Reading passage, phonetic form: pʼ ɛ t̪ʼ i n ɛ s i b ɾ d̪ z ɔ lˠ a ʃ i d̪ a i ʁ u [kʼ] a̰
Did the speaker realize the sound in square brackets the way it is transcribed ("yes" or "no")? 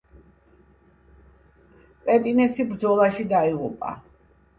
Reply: no